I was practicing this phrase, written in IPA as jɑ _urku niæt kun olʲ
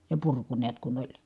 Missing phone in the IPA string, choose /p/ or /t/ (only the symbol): p